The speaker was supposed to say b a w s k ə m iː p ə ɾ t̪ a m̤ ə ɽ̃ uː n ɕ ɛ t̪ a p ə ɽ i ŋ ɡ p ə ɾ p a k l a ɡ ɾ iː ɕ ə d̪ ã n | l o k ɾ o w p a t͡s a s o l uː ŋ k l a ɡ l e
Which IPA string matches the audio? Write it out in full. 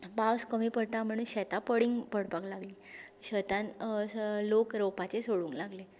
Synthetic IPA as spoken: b a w s k ə m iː p ə ɽ t̪ a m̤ ə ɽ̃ uː n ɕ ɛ t̪ a p ə ɽ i ŋ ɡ p ə ɽ p a k l a ɡ l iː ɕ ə t̪ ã n | l o k ɾ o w p a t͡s e s o ɽ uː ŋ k l a ɡ l e